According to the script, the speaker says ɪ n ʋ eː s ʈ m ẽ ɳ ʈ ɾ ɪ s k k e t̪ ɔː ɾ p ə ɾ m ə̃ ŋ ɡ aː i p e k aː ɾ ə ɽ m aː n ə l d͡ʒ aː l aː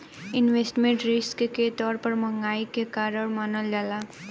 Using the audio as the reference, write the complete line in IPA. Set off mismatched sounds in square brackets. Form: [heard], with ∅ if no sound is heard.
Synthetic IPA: ɪ n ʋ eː s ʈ m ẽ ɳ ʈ ɾ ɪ s k k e t̪ ɔː ɾ p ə ɾ m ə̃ ŋ ɡ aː i [k] e k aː ɾ ə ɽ m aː n ə l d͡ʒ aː l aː